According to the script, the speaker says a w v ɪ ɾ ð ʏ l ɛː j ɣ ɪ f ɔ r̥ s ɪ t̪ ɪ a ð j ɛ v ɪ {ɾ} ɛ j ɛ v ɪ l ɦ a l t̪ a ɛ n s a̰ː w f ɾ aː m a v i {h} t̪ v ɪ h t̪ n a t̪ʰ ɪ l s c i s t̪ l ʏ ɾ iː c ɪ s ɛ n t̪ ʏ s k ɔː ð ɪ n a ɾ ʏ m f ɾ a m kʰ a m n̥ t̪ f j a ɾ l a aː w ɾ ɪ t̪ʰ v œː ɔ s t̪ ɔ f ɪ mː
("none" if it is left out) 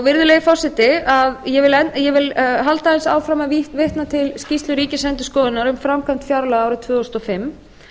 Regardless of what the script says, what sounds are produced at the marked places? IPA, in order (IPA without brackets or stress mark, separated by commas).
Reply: l, h